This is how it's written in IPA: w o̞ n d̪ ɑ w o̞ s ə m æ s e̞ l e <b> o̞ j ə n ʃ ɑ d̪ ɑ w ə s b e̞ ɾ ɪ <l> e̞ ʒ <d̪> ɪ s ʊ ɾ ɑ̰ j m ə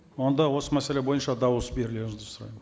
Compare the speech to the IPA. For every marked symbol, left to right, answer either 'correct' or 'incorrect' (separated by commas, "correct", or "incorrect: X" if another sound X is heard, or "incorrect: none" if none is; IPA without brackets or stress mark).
correct, correct, correct